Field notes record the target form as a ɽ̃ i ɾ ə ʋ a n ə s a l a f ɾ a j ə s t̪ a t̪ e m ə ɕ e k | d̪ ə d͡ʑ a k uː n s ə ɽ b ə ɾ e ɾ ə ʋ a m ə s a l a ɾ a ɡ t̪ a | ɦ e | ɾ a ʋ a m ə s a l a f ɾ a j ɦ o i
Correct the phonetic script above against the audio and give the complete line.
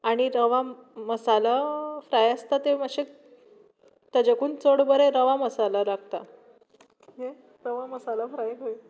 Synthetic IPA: a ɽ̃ i ɾ ə ʋ a m ə s a l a f ɾ a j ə s t̪ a t̪ e m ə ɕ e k | t̪ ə d͡ʑ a k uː n t͡s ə ɽ b ə ɾ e ɾ ə ʋ a m ə s a l a ɾ a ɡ t̪ a | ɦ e | ɾ ə ʋ a m ə s a l a f ɾ a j ɦ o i

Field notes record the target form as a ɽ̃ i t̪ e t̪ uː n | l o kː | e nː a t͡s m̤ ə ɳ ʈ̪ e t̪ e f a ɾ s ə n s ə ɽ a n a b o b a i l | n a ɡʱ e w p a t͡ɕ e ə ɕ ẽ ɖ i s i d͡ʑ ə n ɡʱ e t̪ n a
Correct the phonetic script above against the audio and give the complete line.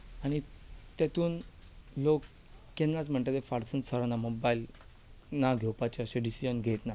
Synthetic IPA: a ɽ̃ i t̪ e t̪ uː n | l o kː | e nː a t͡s m̤ ə ɳ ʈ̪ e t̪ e f a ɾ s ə n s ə ɾ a n a m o b a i l | n a ɡʱ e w p a t͡ɕ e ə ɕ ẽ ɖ i s i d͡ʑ ə n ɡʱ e t̪ n a

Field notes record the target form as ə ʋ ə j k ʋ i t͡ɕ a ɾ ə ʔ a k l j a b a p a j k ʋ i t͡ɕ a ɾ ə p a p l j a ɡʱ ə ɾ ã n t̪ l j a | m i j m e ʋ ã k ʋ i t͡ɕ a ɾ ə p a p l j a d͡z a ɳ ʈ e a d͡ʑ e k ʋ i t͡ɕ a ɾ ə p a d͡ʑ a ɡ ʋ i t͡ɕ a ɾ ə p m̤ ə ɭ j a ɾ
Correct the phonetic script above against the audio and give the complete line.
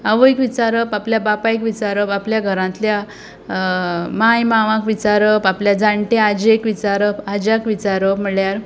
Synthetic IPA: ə ʋ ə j k ʋ i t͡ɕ a ɾ ə p a p l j a b a p a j k ʋ i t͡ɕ a ɾ ə p a p l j a ɡʱ ə ɾ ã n t̪ l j a | m a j m a ʋ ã k ʋ i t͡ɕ a ɾ ə p a p l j a d͡z a ɳ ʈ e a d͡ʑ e k ʋ i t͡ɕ a ɾ ə p a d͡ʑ a k ʋ i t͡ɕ a ɾ ə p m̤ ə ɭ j a ɾ

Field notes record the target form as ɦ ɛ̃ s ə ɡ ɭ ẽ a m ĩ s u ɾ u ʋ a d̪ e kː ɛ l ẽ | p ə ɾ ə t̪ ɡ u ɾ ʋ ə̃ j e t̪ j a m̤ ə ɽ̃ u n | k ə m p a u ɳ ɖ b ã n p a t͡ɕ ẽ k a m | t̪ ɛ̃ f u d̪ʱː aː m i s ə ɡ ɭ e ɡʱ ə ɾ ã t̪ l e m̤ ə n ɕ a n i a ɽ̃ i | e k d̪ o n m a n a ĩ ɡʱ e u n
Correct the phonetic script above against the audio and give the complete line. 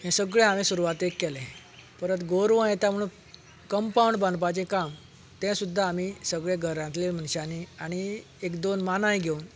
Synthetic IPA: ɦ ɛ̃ s ə ɡ ɭ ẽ a m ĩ s u ɾ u ʋ a t̪ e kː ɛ l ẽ | p ə ɾ ə t̪ ɡ o ɾ ʋ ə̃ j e t̪ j a m̤ ə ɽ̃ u n | k ə m p a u ɳ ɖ b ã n p a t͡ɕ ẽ k a m | t̪ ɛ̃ s u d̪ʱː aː m i s ə ɡ ɭ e ɡʱ ə ɾ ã t̪ l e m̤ ə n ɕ a n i a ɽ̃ i | e k d̪ o n m a n a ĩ ɡʱ e u n

